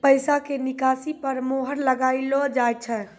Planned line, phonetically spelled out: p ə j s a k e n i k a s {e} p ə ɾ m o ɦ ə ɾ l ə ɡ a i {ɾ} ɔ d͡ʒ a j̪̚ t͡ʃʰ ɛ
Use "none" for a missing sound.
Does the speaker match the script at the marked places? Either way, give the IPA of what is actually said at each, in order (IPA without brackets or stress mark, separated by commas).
i, l